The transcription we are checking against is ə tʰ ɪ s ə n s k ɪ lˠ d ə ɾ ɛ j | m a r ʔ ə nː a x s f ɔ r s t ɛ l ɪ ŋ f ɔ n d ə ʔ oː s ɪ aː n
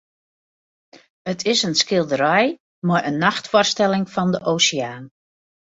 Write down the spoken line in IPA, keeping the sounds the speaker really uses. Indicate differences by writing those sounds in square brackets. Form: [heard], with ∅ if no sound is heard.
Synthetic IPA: ə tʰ ɪ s ə n s k ɪ lˠ d ə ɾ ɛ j | m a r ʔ ə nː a x [t] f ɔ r s t ɛ l ɪ ŋ f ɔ n d ə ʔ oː s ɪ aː n